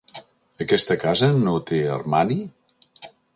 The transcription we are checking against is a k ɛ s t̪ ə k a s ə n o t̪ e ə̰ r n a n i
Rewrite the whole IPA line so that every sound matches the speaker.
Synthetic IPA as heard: ə k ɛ s t̪ ə k a z ə n o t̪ e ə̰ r m a n i